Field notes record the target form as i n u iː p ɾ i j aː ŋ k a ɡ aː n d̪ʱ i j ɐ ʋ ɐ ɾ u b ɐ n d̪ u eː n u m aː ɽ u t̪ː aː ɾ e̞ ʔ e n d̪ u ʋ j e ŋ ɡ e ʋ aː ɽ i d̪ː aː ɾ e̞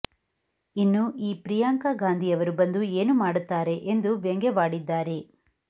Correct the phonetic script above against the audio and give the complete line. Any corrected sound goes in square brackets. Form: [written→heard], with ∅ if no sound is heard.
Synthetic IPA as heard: i [n→nː] u iː p ɾ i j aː ŋ k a ɡ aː n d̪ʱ i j ɐ ʋ ɐ ɾ u b ɐ n d̪ u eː n u m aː ɽ u t̪ː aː ɾ e̞ ʔ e n d̪ u ʋ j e ŋ ɡ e ʋ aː ɽ i d̪ː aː ɾ e̞